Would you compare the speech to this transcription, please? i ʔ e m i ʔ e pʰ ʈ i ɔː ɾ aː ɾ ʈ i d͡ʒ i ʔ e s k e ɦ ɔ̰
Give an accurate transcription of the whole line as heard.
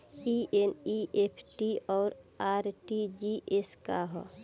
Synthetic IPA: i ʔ e n i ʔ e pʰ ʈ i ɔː ɾ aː ɾ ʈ i d͡ʒ i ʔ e s k a ɦ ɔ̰

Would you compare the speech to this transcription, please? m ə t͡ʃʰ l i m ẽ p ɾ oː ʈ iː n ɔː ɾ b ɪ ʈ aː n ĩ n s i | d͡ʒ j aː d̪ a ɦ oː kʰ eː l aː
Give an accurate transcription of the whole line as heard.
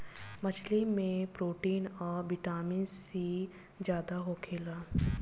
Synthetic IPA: m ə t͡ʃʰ l i m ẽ p ɾ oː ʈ iː n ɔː ɾ b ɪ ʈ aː m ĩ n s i | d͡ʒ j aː d̪ a ɦ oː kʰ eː l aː

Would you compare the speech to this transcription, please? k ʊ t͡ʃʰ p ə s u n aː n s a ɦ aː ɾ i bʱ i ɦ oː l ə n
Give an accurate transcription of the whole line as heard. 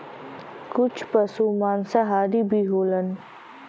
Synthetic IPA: k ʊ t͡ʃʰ p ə s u m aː n s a ɦ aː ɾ i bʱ i ɦ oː l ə n

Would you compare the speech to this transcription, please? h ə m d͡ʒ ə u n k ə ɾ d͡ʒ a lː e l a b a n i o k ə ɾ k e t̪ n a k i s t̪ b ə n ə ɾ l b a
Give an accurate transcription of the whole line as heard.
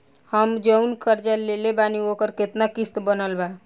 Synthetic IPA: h ə m d͡ʒ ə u n k ə ɾ d͡ʒ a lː e l e b a n i o k ə ɾ k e t̪ n a k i s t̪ b ə n ə l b a

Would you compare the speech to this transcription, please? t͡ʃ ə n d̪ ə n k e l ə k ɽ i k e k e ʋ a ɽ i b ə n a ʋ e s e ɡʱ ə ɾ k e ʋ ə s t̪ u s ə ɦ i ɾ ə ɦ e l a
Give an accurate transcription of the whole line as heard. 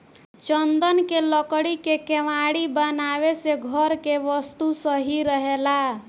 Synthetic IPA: t͡ʃ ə n d̪ ə n k e l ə k ɽ i k e k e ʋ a ɽ i b ə n a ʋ e s e ɡʱ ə ɾ k e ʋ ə s t̪ u s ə ɦ i ɾ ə ɦ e l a

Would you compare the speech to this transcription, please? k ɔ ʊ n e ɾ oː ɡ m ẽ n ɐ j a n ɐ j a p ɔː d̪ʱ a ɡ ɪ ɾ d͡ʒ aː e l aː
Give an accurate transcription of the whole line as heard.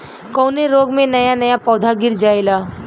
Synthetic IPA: k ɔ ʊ n e ɾ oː ɡ m ẽ n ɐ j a n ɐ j a p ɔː d̪ʱ a ɡ ɪ ɾ d͡ʒ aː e l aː

